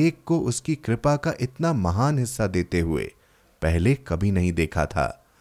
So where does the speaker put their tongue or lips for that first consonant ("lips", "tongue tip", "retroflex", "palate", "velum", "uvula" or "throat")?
velum